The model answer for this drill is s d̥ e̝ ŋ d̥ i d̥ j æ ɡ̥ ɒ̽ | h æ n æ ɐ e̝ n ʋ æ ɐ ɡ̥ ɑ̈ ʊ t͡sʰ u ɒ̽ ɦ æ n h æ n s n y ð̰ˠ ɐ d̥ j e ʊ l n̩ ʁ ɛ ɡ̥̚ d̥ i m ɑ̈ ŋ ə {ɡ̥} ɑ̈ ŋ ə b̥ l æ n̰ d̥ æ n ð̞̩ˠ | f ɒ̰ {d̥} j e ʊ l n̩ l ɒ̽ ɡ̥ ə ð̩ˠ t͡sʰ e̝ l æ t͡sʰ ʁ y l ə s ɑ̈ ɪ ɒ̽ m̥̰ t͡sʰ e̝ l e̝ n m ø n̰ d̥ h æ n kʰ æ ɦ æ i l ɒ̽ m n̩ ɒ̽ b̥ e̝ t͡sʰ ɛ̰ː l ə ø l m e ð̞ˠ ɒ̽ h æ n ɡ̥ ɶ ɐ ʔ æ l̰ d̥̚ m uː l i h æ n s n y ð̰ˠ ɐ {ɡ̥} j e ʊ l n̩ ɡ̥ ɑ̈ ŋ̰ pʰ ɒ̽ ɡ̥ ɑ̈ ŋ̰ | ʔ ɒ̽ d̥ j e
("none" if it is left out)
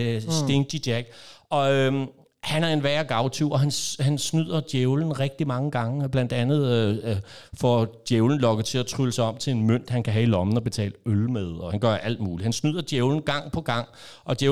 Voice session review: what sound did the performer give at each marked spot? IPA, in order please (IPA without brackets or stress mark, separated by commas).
ɡ̥, d̥, d̥